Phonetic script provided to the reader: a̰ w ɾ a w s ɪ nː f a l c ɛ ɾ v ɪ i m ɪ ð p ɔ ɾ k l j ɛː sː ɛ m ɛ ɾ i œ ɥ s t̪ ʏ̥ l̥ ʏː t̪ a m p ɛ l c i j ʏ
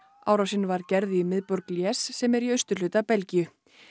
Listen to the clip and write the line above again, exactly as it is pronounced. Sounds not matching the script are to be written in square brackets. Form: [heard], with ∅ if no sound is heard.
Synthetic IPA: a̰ w ɾ a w s ɪ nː [v] a [ɾ] c ɛ ɾ [ð] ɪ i m ɪ ð p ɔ ɾ k l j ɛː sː ɛ m ɛ ɾ i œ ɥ s t̪ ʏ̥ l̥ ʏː t̪ a [∅] p ɛ l c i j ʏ